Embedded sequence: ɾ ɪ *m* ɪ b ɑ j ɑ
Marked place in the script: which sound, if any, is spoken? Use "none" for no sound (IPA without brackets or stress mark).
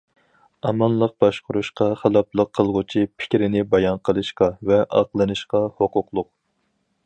n